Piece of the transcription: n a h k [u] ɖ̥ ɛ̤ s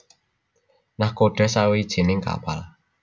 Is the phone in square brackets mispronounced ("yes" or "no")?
yes